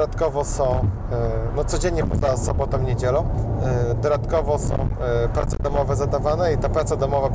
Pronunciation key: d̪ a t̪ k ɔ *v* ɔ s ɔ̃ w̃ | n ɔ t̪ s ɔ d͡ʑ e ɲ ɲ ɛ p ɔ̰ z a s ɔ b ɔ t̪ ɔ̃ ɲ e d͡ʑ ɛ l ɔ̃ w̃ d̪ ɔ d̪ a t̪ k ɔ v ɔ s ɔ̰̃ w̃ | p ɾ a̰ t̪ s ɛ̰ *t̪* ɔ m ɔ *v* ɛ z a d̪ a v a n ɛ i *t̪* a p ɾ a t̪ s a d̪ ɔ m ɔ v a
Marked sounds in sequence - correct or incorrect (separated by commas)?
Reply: correct, incorrect, correct, correct